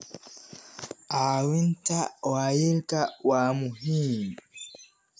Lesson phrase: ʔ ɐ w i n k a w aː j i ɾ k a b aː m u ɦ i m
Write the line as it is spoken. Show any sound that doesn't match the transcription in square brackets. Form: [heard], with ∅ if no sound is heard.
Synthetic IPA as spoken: ʔ [a] w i n [t] a w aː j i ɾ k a [w] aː m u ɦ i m

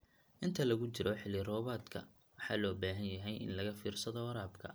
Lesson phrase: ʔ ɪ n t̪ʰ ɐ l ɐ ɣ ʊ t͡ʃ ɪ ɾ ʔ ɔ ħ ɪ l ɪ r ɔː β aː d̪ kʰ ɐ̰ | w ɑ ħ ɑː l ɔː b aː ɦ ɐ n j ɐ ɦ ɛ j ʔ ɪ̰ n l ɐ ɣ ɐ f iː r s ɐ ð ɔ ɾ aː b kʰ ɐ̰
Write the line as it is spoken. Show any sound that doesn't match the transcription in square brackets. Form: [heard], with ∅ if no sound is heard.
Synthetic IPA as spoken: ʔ ɪ n t̪ʰ ɐ l ɐ ɣ ʊ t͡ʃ ɪ ɾ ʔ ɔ ħ ɪ l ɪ r ɔː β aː d̪ kʰ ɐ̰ | w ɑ ħ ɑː l ɔː b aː ɦ ɐ n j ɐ ɦ ɛ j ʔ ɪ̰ n l ɐ ɣ ɐ f iː r s ɐ ð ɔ ɾ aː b kʰ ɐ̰

